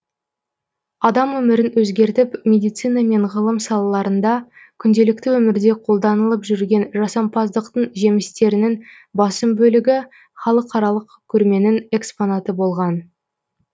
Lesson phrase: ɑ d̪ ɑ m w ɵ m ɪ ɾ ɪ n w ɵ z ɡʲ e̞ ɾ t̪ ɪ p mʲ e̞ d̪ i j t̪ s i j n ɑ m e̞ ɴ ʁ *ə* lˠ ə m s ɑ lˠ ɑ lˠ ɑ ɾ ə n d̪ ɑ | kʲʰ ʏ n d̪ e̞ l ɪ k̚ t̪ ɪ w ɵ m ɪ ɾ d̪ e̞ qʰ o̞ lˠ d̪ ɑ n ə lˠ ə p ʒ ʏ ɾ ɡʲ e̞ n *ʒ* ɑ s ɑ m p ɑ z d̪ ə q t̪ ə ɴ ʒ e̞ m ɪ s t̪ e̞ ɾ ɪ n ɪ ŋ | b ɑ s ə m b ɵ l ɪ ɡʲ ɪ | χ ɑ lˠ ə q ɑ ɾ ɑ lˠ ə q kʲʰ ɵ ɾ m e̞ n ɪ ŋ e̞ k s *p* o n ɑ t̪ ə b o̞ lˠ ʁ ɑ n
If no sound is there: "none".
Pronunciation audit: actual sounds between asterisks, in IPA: ə, ʒ, p

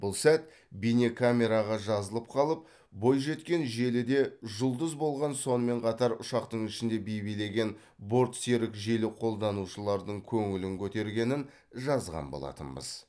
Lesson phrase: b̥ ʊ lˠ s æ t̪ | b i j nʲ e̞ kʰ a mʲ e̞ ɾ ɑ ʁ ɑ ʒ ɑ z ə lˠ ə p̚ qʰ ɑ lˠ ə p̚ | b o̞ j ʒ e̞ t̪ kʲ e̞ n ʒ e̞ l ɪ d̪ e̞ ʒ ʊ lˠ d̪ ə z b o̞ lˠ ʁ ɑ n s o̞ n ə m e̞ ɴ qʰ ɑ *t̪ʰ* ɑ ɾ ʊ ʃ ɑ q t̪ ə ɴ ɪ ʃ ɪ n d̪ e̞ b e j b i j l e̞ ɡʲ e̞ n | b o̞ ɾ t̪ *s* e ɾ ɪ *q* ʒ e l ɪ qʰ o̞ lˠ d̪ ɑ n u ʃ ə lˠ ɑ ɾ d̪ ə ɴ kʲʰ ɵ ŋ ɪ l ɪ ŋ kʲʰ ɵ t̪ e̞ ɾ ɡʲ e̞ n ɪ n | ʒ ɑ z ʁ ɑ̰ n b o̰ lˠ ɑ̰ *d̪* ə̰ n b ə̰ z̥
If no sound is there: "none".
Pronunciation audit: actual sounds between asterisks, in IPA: t̪, s, k, t̪

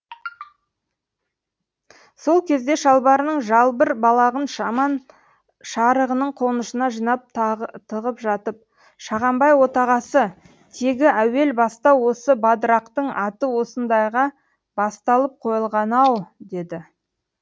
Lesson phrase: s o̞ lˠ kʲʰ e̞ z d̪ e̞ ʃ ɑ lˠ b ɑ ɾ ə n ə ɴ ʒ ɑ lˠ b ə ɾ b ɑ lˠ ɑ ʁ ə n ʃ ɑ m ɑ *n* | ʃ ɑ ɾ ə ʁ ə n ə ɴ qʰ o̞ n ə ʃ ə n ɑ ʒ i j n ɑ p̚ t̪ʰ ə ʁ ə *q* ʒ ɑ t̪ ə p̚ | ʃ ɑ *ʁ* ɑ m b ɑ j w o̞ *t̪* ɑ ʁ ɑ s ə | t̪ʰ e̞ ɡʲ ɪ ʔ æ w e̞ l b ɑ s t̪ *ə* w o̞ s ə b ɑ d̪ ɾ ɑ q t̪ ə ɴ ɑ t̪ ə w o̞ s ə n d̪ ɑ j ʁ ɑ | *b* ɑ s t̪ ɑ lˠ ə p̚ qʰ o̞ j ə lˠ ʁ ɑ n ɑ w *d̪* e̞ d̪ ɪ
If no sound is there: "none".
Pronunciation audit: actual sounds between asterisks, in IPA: n, p, ʁ, t̪, ɑ, b, d̪

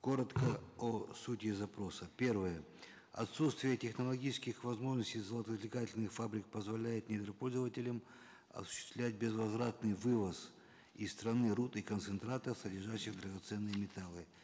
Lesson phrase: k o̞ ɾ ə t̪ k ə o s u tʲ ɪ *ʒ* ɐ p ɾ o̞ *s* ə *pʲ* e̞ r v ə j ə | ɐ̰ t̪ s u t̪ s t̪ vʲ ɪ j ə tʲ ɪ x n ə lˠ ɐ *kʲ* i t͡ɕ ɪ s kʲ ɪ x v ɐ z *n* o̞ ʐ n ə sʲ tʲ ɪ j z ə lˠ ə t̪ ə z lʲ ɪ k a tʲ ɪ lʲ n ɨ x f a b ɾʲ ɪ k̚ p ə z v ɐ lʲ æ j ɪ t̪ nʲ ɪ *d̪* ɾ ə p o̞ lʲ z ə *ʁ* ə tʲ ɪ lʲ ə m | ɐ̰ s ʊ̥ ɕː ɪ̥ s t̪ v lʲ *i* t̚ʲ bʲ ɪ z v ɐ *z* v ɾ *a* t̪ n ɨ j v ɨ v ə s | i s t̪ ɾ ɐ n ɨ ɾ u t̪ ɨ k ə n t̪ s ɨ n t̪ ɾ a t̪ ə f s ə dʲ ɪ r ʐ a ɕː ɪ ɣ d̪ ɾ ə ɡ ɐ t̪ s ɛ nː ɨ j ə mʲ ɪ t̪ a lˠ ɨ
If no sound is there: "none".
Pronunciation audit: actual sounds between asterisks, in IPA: z, s, pʲ, ɡʲ, m, d̪, v, æ, z, a

